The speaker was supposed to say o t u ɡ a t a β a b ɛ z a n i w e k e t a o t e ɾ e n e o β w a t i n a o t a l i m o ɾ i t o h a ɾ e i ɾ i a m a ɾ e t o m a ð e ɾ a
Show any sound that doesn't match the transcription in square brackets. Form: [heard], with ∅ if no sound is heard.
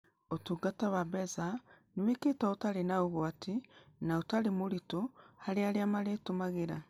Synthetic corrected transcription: o t u ɡ a t a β a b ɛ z a n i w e k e t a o t [a] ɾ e n [a] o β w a t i n a o t a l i m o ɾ i t o h a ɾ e [a] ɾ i a m a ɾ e t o m a [ɣ] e ɾ a